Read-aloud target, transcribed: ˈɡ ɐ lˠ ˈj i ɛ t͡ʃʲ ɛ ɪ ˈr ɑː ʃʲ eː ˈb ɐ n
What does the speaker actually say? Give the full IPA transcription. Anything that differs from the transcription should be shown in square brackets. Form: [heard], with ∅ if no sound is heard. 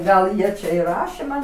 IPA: ˈɡ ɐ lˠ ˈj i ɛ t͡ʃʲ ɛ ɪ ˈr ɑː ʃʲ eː [ˈm] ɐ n